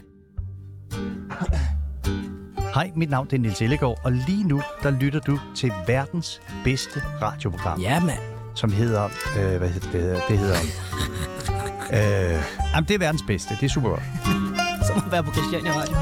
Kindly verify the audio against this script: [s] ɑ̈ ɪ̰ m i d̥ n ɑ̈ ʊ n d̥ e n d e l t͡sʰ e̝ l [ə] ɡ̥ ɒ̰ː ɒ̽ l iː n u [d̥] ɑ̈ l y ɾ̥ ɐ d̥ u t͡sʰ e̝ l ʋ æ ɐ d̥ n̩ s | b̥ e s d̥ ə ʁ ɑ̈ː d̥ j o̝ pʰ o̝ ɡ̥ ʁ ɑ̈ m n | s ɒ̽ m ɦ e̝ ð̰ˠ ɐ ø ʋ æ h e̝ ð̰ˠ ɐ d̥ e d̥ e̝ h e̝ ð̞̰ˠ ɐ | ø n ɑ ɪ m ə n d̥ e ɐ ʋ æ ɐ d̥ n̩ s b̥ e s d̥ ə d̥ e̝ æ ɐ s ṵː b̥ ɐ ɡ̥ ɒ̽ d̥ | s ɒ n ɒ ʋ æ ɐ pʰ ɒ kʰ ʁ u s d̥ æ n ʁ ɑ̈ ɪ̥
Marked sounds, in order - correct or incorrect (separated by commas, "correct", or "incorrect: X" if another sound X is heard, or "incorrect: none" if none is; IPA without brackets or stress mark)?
incorrect: h, correct, correct